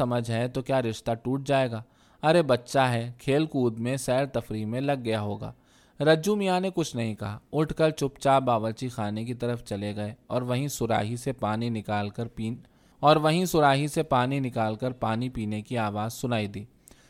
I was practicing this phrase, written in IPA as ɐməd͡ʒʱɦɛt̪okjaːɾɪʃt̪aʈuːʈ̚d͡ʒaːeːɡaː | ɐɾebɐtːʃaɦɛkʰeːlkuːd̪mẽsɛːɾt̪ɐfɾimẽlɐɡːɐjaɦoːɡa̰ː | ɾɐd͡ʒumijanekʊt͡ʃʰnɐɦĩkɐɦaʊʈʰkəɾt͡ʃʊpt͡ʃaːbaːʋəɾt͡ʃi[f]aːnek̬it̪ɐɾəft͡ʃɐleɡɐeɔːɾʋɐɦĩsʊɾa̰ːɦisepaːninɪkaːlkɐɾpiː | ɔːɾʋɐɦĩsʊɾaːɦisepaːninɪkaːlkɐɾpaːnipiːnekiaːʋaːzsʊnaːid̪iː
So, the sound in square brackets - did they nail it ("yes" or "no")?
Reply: no